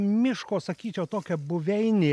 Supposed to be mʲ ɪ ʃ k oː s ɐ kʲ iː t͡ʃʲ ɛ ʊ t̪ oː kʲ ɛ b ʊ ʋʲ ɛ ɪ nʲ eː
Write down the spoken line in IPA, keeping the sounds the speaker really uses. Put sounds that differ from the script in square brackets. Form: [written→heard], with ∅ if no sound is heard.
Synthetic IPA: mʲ ɪ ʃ k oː s ɐ kʲ iː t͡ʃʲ ɛ ʊ t̪ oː kʲ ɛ b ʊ ʋʲ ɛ ɪ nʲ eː